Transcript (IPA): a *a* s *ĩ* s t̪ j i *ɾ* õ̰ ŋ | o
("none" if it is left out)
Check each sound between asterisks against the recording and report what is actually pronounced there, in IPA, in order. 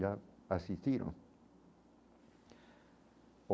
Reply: a, i, ɾ

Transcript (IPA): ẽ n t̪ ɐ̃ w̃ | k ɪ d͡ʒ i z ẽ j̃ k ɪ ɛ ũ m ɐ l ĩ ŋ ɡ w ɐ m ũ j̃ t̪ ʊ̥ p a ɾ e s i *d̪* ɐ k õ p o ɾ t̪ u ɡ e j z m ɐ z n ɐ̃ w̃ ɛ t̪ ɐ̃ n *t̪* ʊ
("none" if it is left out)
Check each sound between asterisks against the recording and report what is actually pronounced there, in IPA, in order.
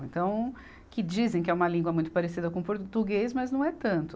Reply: d̪, t̪

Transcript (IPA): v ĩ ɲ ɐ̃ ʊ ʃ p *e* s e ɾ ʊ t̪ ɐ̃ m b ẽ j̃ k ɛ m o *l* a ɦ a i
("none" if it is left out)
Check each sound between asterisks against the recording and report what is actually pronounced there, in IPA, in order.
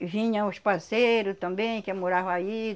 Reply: a, ɾ

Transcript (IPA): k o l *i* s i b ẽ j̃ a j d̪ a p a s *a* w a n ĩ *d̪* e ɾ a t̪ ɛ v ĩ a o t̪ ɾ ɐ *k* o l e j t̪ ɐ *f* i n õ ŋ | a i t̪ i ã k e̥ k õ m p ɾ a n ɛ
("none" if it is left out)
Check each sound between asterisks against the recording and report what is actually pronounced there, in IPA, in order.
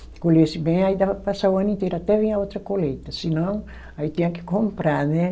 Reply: e, a, t̪, k, s

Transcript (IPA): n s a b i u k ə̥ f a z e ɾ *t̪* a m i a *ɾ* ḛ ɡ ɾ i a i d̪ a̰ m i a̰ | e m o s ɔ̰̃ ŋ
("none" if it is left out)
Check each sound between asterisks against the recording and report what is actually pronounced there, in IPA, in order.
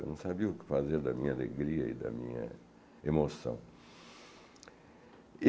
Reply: d̪, l

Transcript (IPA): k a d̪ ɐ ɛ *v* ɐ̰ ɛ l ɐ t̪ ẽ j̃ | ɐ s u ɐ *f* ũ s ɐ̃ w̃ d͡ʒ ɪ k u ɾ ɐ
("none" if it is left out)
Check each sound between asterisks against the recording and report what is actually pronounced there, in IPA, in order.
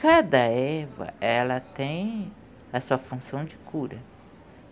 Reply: v, f

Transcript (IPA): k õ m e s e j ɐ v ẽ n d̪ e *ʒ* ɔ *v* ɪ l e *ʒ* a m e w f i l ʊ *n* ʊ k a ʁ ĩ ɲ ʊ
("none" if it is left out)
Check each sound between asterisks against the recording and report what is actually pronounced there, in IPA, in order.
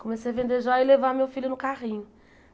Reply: ʒ, none, v, n

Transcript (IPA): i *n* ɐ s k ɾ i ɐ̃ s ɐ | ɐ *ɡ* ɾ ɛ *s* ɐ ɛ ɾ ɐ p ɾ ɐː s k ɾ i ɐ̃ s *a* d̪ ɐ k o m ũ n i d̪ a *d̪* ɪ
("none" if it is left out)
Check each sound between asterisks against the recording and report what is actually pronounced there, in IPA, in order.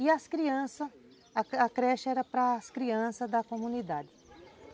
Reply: none, k, ʃ, ɐ, d̪

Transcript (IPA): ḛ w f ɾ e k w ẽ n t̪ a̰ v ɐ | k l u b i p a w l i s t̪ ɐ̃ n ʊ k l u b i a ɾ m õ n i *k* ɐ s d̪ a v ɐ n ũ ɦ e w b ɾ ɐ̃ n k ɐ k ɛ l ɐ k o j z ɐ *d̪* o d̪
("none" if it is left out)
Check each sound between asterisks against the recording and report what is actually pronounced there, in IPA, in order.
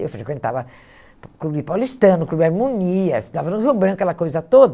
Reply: none, t̪

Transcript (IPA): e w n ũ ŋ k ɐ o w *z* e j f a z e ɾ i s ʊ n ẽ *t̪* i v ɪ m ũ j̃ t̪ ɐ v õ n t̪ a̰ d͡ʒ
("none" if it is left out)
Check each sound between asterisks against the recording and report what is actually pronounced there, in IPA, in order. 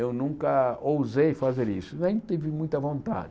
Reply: z, t̪

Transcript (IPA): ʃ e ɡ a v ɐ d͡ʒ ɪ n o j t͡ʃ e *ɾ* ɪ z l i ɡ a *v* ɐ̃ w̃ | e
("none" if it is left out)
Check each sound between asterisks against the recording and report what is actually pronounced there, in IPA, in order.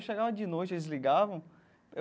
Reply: l, v

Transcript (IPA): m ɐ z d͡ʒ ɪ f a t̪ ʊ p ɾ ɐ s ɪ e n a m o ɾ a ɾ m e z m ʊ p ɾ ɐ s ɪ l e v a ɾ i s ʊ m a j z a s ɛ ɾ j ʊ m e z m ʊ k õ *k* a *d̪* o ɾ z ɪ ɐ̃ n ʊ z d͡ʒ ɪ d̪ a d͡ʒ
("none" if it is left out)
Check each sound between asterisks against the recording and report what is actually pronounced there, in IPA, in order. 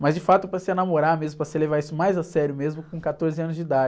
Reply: k, t̪

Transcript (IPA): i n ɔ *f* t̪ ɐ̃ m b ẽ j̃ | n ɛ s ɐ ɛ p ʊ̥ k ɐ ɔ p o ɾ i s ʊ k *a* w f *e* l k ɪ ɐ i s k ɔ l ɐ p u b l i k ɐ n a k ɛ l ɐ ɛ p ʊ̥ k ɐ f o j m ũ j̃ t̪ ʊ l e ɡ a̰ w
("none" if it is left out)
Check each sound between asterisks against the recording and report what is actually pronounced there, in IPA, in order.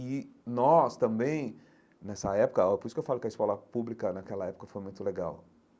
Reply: s, e, a

